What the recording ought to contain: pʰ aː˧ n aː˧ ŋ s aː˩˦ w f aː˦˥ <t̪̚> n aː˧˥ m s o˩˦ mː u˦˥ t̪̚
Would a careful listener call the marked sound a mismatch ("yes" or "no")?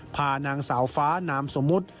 yes